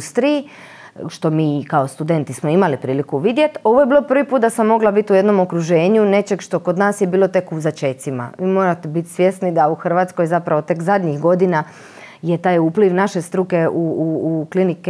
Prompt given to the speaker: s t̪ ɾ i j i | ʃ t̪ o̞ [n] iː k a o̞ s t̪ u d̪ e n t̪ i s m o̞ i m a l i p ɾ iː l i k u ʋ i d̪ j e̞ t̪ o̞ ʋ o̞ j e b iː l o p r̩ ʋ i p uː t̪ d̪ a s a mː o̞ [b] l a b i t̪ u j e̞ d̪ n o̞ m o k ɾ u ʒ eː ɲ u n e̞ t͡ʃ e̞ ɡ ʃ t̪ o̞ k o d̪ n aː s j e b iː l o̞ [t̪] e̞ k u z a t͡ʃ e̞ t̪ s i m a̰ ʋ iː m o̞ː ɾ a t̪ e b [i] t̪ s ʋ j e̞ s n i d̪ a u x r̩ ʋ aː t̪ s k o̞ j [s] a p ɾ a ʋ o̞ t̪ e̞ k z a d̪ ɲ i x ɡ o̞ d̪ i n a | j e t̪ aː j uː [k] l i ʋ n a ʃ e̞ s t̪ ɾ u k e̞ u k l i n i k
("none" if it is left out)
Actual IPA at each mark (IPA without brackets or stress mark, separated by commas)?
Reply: m, ɡ, t̪, i, z, p